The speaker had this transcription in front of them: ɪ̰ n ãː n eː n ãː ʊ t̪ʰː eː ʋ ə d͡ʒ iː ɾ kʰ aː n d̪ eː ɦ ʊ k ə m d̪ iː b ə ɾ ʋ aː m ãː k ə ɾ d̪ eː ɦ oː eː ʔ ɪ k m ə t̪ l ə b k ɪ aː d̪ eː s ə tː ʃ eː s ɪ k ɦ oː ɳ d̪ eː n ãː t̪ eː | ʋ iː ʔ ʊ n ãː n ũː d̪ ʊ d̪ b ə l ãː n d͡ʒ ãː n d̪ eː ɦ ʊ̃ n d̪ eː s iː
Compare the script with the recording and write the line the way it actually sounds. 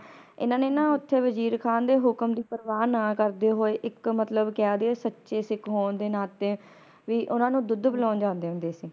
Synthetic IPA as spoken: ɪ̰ n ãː n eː n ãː ʊ t̪ʰː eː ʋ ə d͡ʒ iː ɾ kʰ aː n d̪ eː ɦ ʊ k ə m d̪ iː p ə ɾ ʋ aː n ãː k ə ɾ d̪ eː ɦ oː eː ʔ ɪ k m ə t̪ l ə b k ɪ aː d̪ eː s ə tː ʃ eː s ɪ k ɦ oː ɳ d̪ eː n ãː t̪ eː | ʋ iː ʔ ʊ n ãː n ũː d̪ ʊ d̪ b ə l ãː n d͡ʒ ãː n d̪ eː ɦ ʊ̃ n d̪ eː s iː